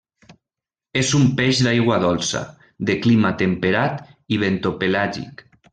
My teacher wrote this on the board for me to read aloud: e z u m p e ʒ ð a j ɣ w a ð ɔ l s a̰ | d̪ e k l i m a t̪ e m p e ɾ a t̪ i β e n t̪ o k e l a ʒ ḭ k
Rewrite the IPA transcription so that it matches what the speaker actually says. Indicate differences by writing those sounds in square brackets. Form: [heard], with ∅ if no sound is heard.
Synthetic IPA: e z u m p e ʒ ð a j ɣ w a ð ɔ l s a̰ | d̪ e k l i m a t̪ e m p e ɾ a t̪ i β e n t̪ o [p] e l a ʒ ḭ k